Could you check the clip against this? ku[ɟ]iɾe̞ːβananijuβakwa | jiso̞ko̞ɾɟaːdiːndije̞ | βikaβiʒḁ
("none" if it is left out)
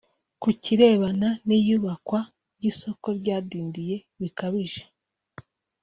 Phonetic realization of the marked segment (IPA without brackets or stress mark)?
c